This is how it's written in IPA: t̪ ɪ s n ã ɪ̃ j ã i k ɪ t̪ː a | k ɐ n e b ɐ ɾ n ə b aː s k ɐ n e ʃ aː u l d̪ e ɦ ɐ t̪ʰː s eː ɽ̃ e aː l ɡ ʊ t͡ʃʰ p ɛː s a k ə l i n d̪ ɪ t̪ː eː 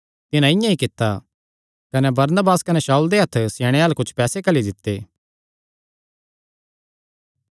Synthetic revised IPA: t̪ ɪ n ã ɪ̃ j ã i k ɪ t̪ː a | k ɐ n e b ɐ ɾ n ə b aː s k ɐ n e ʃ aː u l d̪ e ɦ ɐ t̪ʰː s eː ɽ̃ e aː l k ʊ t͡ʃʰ p ɛː s e k ɐ l i d̪ ɪ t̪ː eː